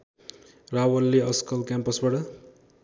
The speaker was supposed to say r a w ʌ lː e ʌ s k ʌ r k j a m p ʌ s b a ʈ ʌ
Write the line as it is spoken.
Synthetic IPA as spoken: r a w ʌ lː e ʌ s k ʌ l k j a m p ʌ s b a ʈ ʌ